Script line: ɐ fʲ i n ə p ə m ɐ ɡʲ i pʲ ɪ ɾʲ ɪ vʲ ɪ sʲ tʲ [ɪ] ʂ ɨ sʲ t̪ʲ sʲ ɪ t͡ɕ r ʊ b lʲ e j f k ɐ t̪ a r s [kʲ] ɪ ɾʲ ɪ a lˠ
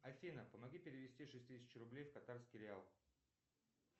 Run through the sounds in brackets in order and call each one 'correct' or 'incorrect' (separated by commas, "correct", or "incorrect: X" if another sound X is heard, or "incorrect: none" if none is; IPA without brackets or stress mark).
incorrect: i, correct